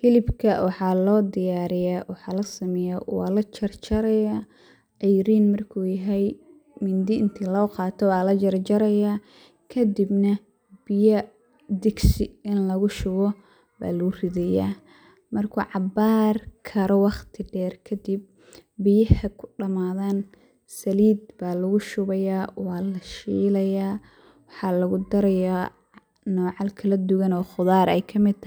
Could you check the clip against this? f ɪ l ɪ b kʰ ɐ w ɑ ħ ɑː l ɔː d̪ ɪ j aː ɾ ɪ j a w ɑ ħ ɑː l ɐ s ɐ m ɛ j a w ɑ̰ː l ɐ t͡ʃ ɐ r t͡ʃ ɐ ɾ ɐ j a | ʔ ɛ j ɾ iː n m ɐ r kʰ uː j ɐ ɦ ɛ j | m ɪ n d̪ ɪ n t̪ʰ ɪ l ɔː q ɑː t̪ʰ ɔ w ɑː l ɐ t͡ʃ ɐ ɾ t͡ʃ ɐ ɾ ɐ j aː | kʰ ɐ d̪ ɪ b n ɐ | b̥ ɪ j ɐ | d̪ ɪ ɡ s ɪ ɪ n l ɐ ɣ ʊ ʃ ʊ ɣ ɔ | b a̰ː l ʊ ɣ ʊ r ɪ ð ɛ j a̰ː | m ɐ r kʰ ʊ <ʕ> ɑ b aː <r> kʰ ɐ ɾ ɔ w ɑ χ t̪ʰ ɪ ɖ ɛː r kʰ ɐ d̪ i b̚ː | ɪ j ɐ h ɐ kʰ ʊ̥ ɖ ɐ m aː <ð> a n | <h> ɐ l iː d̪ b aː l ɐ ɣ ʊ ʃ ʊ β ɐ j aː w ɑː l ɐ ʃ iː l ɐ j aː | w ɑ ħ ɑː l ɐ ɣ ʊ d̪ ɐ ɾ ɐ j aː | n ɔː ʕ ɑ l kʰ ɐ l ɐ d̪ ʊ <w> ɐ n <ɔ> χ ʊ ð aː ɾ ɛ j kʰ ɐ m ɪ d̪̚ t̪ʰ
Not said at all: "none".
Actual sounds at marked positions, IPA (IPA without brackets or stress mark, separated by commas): ʕ, r, ð, s, ɣ, ɔː